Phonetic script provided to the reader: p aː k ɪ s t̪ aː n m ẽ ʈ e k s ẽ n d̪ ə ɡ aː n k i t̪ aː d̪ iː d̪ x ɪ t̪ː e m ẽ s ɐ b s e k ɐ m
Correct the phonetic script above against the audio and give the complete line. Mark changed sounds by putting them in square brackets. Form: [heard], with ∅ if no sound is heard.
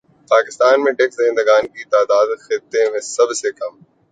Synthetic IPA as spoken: p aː k ɪ s t̪ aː n m ẽ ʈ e k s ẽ n d̪ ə ɡ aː n k i t̪ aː d̪ [aː] d̪ x ɪ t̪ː e m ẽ s ɐ b s e k ɐ m